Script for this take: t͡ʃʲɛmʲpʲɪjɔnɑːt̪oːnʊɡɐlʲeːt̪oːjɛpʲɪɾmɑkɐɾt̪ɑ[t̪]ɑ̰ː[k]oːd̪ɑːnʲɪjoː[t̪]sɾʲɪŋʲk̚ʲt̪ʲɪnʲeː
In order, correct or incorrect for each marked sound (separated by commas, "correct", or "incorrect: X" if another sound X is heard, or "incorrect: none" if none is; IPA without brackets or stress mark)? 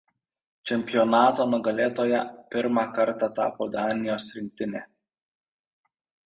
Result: correct, incorrect: p, incorrect: none